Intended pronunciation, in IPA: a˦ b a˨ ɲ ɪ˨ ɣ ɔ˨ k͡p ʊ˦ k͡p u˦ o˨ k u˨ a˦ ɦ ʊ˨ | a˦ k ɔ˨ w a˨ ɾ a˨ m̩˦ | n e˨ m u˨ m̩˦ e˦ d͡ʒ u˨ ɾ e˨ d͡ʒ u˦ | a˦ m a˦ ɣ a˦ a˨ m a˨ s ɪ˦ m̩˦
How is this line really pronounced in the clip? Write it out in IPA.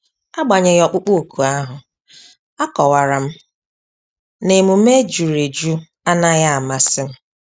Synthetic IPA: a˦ ɡ͡b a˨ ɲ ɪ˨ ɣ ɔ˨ k͡p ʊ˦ k͡p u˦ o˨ k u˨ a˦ ɦ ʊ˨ | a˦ k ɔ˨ w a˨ ɾ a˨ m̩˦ | n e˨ m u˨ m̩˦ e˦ d͡ʒ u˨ ɾ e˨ d͡ʒ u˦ | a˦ n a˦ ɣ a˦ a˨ m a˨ s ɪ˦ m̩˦